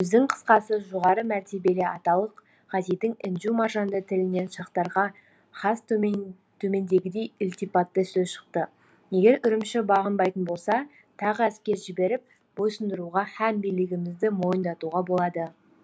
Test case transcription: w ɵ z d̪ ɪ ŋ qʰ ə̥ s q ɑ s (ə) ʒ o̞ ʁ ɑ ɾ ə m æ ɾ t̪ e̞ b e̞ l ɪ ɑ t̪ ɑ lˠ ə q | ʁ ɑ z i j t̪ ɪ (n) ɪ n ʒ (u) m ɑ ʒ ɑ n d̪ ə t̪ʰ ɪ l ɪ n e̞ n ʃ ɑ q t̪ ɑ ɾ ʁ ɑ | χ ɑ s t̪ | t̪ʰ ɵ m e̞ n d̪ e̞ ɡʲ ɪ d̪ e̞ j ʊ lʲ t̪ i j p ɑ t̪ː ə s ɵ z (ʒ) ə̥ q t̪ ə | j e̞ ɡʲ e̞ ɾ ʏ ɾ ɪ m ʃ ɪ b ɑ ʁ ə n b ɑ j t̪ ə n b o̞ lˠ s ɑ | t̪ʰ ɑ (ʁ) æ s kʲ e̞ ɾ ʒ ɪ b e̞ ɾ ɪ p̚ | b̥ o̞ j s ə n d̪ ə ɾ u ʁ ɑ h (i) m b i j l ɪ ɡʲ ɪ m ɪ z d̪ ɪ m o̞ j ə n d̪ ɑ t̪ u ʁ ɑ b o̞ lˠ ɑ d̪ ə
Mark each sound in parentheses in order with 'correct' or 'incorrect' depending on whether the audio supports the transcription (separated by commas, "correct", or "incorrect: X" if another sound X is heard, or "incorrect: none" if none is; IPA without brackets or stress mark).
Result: correct, incorrect: ŋ, correct, incorrect: ʃ, correct, incorrect: æ